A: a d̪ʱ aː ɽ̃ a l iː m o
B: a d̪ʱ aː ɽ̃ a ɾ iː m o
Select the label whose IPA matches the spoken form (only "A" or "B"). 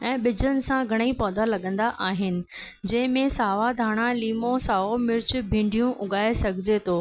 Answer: A